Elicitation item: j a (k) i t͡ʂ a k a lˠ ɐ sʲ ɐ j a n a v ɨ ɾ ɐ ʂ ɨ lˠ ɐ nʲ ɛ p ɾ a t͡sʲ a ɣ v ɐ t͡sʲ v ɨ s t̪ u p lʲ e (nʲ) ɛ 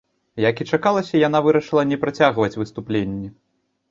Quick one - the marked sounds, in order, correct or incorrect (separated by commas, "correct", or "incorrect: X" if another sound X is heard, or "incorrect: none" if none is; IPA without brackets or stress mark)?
correct, incorrect: nʲː